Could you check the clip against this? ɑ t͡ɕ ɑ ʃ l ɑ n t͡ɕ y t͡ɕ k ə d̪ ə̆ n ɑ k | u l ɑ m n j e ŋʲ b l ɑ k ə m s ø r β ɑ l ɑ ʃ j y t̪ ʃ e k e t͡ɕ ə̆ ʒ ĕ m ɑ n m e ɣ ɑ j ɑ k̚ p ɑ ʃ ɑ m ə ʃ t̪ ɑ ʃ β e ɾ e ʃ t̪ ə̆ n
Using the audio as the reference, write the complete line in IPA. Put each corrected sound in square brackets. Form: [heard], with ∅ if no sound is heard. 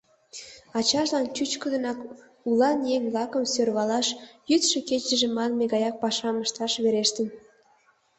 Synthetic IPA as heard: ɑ t͡ɕ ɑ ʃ l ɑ n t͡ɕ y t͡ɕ k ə d̪ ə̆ n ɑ k | u l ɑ [∅] n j e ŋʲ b l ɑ k ə m s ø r β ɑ l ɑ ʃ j y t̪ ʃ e k e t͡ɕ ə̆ ʒ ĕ m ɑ n m e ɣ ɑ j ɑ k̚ p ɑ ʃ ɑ m ə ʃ t̪ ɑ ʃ β e ɾ e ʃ t̪ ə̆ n